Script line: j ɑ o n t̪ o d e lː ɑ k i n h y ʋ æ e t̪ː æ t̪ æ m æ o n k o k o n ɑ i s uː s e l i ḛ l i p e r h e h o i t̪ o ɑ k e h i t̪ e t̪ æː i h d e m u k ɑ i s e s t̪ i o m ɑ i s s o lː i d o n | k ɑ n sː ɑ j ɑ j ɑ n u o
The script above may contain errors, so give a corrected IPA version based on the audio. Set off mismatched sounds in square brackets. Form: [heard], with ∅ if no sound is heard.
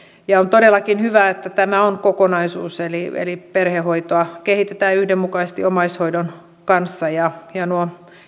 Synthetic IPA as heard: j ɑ o n t̪ o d e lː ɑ k i n h y ʋ æ e t̪ː æ t̪ æ m æ o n k o k o n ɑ i s uː s e l i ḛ l i p e r h e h o i t̪ o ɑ k e h i t̪ e t̪ æː [y] h d e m u k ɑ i s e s t̪ i o m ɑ i s [h] o [∅] i d o n | k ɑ n sː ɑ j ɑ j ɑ n u o

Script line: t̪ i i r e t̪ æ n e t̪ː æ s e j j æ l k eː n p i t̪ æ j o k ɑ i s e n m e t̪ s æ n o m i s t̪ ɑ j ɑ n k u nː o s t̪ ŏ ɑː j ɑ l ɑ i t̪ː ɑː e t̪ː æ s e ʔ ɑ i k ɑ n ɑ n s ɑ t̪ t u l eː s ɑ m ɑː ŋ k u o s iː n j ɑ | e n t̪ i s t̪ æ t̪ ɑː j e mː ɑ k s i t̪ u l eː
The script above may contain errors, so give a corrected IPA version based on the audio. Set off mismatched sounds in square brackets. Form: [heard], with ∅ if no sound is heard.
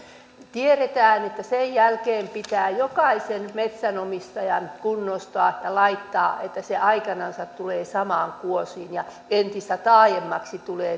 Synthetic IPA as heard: t̪ i [e] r e t̪ [æː] n e t̪ː æ s e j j æ l k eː [m] p i t̪ [æː] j o k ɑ i s e n m e t̪ s æ n o m i s t̪ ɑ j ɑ n k u nː o s t̪ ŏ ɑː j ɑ l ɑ i t̪ː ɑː e t̪ː æ s e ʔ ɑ i k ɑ n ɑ n s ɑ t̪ t u l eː s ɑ m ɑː ŋ k u o s iː n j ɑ | e n t̪ i s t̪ æ t̪ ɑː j e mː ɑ k s i t̪ u l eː

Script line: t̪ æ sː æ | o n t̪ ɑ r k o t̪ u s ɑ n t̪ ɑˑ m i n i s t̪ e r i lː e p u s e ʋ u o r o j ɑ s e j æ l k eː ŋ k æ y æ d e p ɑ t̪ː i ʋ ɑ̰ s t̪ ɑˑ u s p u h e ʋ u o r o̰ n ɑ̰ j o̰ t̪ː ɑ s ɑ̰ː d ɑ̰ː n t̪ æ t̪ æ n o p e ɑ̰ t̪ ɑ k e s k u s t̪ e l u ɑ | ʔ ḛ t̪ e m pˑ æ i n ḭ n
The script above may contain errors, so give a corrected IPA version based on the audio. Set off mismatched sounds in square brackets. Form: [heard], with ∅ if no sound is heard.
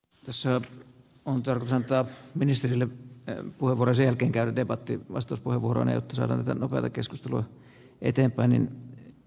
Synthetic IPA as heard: t̪ æ sː æ | o n t̪ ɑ r k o t̪ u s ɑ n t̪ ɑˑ m i n i s t̪ e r i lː e p u [h] e ʋ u o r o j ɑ s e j æ l k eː ŋ k æ y æ d e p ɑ t̪ː i ʋ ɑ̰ s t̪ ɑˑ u s p u h e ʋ u o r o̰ n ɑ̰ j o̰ t̪ː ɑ s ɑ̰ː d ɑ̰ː n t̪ æ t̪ æ n o p e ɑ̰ t̪ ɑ k e s k u s t̪ e l u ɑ | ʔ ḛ t̪ e m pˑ æ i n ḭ n

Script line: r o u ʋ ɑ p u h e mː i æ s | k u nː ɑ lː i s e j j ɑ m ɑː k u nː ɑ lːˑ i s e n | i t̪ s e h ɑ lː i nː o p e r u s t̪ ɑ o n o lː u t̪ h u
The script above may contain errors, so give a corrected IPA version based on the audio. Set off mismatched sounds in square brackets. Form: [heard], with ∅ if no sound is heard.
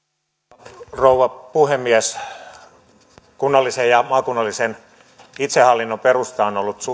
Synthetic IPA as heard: r o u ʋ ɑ p u h e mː i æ s | k u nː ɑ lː i s e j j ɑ m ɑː k u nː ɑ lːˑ i s e n | i t̪ s e h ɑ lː i nː o p e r u s t̪ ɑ o n o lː u t̪ [s] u

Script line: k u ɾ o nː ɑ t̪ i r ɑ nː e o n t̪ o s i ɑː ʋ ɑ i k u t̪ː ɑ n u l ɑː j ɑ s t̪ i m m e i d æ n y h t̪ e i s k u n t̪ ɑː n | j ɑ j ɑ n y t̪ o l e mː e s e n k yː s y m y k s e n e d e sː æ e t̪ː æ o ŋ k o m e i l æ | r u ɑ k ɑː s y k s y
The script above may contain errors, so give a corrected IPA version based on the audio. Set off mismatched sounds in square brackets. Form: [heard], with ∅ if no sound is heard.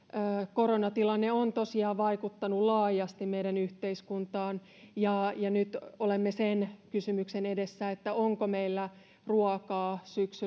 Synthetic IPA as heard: k [o] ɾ o [n] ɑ t̪ i [l] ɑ nː e o n t̪ o s i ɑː ʋ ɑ i k u t̪ː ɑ n u l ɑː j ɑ s t̪ i m m e i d æ n y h t̪ e i s k u n t̪ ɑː n | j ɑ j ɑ n y t̪ o l e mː e s e n k [y] s y m y k s e n e d e sː æ e t̪ː æ o ŋ k o m e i [lː] æ | r u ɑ k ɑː s y k s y

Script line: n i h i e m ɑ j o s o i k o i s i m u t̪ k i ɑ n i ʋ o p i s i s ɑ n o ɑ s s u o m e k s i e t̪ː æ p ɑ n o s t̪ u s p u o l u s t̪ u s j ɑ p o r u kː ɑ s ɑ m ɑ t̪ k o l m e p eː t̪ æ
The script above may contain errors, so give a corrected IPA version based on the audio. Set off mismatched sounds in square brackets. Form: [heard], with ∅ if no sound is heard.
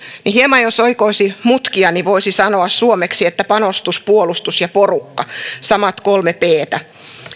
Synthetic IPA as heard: n i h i e m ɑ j o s o i k o i s i m u t̪ k i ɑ n i ʋ o [∅] i s i s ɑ n o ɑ s s u o m e k s i e t̪ː æ p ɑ n o s t̪ u s p u o l u s t̪ u s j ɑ p o r u kː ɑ s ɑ m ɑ t̪ k o l m e p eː t̪ æ

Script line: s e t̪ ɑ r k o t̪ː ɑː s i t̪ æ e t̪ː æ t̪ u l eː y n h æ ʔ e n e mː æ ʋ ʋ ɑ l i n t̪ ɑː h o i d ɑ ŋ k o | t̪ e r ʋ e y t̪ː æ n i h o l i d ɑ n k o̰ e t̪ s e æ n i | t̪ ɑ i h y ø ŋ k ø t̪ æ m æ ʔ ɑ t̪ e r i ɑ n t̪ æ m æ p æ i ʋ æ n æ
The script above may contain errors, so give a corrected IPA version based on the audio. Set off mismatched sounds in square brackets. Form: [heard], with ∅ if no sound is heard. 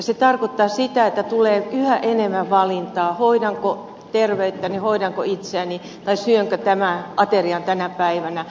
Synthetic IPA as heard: s e t̪ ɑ r k o t̪ː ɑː s i t̪ æ e t̪ː æ t̪ u l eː y [∅] h æ ʔ e n e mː æ ʋ ʋ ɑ l i n t̪ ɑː h o i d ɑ ŋ k o | t̪ e r ʋ e y t̪ː æ n i h o [∅] i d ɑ [ŋ] k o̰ [i] t̪ s e æ n i | t̪ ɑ i [s] y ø ŋ k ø t̪ æ m æ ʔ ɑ t̪ e r i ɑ n t̪ æ [n] æ p æ i ʋ æ n æ

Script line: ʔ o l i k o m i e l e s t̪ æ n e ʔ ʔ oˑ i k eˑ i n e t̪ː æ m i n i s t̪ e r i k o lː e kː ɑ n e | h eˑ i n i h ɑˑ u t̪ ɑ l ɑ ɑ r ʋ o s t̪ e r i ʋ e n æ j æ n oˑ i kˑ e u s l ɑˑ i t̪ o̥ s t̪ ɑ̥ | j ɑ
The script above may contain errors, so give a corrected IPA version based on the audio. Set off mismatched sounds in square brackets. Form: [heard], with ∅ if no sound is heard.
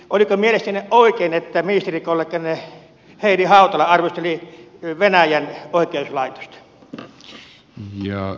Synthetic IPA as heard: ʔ o l i k o m i e l e s t̪ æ n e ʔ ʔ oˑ i k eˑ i n e t̪ː æ m i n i s t̪ e r i k o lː e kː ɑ n e | h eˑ i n i h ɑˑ u t̪ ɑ l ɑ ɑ r ʋ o s t̪ e [l] i ʋ e n æ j æ n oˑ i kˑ e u s l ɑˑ i t̪ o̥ s t̪ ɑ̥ | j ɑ

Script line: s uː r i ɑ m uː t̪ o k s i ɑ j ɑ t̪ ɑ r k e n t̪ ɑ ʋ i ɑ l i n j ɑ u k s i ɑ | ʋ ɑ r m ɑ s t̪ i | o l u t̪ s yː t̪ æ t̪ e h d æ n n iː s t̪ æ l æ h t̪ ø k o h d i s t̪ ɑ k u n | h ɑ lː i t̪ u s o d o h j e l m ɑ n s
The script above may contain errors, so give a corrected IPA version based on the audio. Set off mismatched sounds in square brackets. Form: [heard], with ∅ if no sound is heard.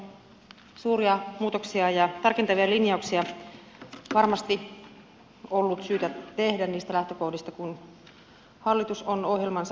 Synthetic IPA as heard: s uː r i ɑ m uː t̪ o k s i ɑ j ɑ t̪ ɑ r k e n t̪ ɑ ʋ i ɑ l i n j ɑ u k s i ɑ | ʋ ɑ r m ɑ s t̪ i | o [lː] u t̪ s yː t̪ æ t̪ e h d æ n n iː s t̪ æ l æ h t̪ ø k o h d i s t̪ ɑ k u n | h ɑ lː i t̪ u s o [n] o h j e l m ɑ n s

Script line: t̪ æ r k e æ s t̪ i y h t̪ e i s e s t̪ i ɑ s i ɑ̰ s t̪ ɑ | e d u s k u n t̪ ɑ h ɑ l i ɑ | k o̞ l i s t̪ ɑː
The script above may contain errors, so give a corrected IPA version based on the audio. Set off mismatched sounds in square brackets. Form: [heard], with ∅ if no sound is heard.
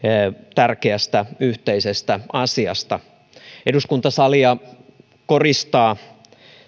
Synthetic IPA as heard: t̪ æ r k e æ s t̪ [æ] y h t̪ e i s e s t̪ [æ] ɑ s i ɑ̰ s t̪ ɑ | e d u s k u n t̪ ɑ [s] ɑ l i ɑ | k o̞ [r] i s t̪ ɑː

